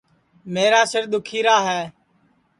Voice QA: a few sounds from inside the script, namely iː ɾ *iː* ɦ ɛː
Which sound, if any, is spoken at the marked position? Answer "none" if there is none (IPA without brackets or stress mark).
aː